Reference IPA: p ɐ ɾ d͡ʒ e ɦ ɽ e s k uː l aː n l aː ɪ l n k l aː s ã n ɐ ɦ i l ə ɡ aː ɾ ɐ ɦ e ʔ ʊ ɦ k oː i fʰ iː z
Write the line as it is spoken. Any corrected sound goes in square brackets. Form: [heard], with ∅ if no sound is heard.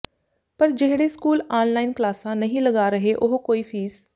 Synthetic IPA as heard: p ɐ ɾ d͡ʒ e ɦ ɽ e s k uː l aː n l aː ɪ [∅] n k l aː s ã n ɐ ɦ [ĩ] l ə ɡ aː ɾ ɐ ɦ e ʔ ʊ ɦ k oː i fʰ iː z